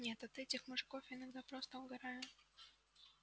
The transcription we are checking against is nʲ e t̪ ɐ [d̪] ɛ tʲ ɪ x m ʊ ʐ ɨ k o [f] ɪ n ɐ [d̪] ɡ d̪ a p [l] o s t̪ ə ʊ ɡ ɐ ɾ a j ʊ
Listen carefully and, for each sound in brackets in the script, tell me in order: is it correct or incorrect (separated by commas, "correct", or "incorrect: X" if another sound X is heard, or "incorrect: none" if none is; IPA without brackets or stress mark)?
incorrect: t̪, correct, incorrect: none, incorrect: ɾ